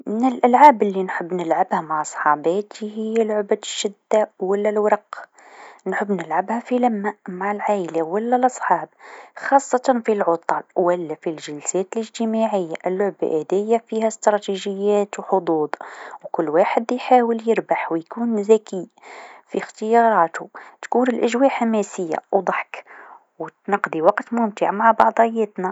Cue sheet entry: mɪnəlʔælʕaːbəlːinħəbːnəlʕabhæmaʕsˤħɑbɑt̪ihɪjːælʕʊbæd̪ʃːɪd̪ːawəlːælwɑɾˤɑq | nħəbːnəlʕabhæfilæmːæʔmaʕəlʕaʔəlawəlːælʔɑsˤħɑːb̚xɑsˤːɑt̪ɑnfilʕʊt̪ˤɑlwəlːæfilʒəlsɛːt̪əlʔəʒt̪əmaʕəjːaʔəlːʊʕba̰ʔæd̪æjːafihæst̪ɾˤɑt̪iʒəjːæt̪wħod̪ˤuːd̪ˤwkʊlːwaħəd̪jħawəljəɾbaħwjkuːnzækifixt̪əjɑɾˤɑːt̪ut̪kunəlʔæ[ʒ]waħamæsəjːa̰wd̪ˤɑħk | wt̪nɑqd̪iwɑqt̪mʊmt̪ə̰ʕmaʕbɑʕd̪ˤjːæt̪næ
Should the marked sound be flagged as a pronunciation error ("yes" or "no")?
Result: no